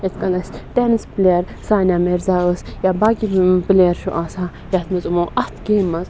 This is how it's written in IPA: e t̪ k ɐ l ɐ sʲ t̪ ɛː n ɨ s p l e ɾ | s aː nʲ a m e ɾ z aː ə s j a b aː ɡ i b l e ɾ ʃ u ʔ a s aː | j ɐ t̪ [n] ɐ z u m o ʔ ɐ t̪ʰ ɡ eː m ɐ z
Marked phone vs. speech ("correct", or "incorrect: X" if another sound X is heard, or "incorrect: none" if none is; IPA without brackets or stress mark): incorrect: m